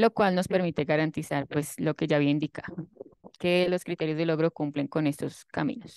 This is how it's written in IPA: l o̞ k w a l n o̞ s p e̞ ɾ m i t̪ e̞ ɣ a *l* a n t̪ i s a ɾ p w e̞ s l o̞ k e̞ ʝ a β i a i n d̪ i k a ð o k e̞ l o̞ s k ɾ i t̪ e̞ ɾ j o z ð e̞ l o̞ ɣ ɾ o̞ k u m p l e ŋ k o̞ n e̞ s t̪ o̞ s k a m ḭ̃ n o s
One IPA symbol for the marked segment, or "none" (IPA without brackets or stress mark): ɾ